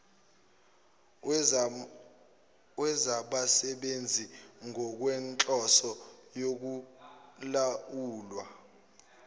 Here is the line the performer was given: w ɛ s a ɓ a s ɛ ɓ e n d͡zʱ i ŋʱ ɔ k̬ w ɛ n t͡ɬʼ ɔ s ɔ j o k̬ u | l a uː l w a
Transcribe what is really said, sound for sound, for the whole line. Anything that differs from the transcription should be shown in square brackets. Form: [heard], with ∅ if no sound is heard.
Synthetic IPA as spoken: w ɛ [z] a ɓ a s ɛ ɓ e n d͡zʱ i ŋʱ ɔ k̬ w ɛ n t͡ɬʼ ɔ s ɔ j o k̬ u | l a uː l w a